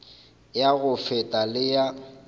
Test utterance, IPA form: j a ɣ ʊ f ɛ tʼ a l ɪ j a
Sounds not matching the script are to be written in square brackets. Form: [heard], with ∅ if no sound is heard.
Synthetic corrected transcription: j a ɣ ʊ f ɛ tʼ a l ɪ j a